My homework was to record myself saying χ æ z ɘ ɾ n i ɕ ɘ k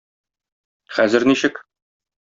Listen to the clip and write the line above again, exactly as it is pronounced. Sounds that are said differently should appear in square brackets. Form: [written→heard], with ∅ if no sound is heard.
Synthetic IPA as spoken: χ æ z ɘ ɾ n i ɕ ɘ k